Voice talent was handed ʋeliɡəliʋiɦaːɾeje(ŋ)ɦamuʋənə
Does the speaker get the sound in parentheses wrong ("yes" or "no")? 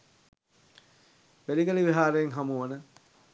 no